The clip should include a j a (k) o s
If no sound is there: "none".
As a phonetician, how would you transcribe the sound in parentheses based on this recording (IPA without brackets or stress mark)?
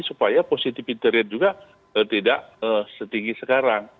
p